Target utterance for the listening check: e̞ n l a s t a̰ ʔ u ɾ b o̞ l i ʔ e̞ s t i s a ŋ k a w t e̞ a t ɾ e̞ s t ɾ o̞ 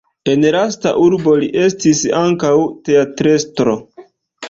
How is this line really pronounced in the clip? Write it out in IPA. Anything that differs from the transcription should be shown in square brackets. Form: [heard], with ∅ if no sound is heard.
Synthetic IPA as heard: e̞ n l a s t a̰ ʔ u ɾ b o̞ l i ʔ e̞ s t i s a ŋ k a w t e̞ a t ɾ e̞ s t ɾ o̞

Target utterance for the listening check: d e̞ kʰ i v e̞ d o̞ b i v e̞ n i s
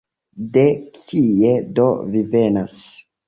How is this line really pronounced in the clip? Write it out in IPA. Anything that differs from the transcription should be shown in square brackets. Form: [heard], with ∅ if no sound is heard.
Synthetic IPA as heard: d e̞ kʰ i [∅] e̞ d o̞ [v] i v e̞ n [a] s

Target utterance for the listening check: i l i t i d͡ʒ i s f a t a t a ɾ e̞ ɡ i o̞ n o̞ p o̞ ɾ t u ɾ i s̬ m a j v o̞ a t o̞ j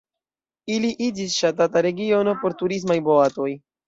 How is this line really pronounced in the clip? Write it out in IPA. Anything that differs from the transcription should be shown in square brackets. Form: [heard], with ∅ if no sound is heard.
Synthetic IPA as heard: i l i [ʔ] i d͡ʒ i s [ʃ] a t a t a ɾ e̞ ɡ i o̞ n o̞ p o̞ ɾ t u ɾ i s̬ m a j [b] o̞ a t o̞ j

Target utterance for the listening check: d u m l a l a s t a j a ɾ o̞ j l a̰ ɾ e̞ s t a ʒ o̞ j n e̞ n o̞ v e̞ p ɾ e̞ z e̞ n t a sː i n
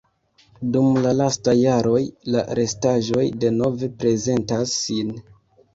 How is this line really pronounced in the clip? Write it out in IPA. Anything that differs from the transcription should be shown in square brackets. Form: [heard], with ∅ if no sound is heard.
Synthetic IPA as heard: d u m l a l a s t a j a ɾ o̞ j l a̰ ɾ e̞ s t a ʒ o̞ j [d] e̞ n o̞ v e̞ p ɾ e̞ z e̞ n t a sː i n

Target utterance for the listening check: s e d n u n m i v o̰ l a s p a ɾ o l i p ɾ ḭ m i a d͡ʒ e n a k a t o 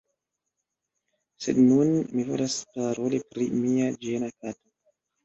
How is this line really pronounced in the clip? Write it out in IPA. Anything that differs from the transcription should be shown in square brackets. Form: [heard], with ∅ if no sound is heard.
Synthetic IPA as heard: s e d n u n m i v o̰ l a s p a ɾ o l i p ɾ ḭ m i a d͡ʒ e n a k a t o

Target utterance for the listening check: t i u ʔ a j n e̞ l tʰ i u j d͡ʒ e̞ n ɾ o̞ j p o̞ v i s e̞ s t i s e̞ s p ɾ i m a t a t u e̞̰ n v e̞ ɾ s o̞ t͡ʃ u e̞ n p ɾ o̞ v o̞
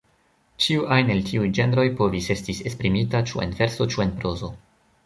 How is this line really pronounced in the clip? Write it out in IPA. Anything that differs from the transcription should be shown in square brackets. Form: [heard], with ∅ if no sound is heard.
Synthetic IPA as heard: [t͡ʃ] i u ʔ a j n e̞ l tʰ i u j d͡ʒ e̞ n ɾ o̞ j p o̞ v i s e̞ s t i s e̞ s p ɾ i m [i] t a [t͡ʃ] u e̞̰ n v e̞ ɾ s o̞ t͡ʃ u e̞ n p ɾ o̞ [z] o̞

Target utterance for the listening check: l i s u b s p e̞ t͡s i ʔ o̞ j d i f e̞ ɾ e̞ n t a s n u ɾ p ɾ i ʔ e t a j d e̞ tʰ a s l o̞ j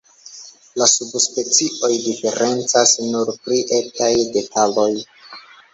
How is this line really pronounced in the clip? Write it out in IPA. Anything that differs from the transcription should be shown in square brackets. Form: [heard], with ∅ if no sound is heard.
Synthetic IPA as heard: l [a] s u b s p e̞ t͡s i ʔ o̞ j d i f e̞ ɾ e̞ n [t͡s] a s n u ɾ p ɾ i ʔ e t a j d e̞ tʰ a [∅] l o̞ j

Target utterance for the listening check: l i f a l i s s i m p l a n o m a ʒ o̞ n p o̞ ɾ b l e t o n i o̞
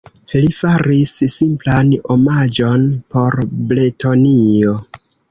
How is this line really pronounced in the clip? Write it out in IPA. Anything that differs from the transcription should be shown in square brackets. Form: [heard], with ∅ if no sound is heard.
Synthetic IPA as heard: l i f a [ɾ] i s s i m p l a n o m a [d͡ʒ] o̞ n p o̞ ɾ b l e t o n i o̞

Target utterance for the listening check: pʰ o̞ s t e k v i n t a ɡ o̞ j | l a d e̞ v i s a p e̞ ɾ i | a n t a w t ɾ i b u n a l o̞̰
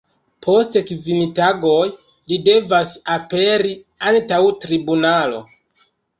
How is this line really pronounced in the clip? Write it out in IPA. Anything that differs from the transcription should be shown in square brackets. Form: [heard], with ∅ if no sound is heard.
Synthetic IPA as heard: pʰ o̞ s t e k v i n t a ɡ o̞ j | l [i] d e̞ v [a] s a p e̞ ɾ i | a n t a w t ɾ i b u n a l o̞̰

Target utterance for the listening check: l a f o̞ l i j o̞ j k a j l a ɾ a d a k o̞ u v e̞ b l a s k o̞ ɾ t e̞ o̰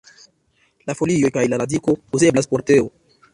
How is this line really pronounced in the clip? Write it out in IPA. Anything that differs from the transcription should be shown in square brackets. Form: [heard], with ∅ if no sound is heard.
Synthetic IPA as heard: l a f o̞ l i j o̞ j k a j l a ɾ a d [i] k o̞ u [z] e̞ b l a s [p] o̞ ɾ t e̞ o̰

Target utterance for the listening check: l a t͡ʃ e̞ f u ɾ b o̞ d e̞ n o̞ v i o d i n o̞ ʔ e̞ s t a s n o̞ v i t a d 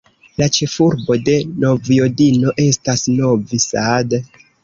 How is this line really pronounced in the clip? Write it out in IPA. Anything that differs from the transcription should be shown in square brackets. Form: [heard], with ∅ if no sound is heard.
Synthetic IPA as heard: l a t͡ʃ e̞ f u ɾ b o̞ d e̞ n o̞ v [j] o d i n o̞ ʔ e̞ s t a s n o̞ v i [s] a d

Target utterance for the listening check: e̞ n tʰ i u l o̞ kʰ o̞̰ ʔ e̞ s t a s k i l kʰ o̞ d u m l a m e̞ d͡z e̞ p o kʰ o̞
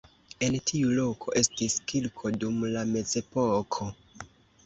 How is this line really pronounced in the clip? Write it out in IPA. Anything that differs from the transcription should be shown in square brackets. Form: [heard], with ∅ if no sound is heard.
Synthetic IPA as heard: e̞ n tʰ i u l o̞ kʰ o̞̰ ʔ e̞ s t [i] s k i l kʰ o̞ d u m l a m e̞ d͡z e̞ p o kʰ o̞

